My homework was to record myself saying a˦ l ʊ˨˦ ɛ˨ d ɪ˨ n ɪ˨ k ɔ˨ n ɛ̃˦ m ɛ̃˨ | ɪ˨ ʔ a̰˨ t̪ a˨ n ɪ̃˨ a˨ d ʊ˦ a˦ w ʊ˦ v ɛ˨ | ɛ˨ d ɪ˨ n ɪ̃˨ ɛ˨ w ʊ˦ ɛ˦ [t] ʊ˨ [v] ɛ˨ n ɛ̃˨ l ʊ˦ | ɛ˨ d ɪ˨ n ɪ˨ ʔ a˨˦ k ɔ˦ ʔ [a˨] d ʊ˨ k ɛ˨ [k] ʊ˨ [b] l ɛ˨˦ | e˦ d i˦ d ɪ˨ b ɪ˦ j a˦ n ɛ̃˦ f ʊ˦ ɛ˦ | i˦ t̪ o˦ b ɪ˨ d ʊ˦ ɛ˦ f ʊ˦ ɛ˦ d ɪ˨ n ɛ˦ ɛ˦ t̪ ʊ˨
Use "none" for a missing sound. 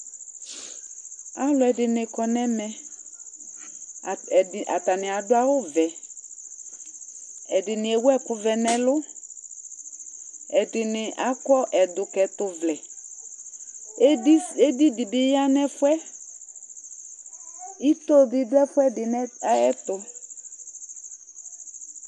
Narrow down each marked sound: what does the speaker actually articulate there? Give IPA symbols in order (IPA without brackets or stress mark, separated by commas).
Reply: k, v, ɛ˨, t, v